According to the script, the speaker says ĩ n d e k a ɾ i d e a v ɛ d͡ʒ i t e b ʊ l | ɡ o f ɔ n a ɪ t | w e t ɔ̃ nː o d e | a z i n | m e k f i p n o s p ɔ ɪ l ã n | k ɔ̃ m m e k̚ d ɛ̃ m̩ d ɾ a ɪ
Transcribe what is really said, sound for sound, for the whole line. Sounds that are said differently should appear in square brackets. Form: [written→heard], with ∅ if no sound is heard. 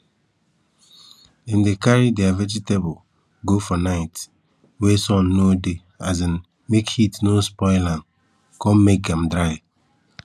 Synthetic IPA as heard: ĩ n d e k a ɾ i d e a v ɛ d͡ʒ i t e b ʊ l | ɡ o f ɔ n a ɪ t | w e [t→s] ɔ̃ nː o d e | a z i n | m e k [f→h] i [p→t] n o s p ɔ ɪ l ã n | k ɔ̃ m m e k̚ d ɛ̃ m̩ d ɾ a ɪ